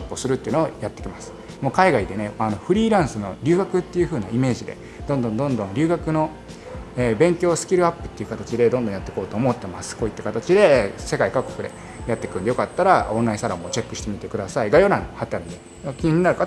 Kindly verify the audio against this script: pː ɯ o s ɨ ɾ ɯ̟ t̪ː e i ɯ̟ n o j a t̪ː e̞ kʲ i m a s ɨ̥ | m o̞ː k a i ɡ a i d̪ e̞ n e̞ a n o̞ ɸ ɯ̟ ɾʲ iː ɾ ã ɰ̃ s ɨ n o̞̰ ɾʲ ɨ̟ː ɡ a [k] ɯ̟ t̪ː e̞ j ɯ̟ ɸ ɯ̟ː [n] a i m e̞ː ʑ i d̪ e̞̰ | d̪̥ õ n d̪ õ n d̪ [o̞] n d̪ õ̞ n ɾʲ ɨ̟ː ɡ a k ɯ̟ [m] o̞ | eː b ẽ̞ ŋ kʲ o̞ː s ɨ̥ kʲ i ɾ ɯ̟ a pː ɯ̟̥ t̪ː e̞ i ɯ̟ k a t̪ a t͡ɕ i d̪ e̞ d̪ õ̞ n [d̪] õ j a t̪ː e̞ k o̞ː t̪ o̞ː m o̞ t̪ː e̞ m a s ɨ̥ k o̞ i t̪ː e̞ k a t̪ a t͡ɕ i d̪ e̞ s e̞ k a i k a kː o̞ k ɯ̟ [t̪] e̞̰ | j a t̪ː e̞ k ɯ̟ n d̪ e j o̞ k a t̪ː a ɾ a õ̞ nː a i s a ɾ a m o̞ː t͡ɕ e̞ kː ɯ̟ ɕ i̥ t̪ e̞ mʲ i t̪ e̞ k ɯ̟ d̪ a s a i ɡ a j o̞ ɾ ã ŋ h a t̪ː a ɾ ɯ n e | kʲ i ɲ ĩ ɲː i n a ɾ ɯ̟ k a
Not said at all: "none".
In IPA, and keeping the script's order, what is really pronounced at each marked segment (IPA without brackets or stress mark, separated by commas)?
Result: k, n, õ̞, n, d̪, d̪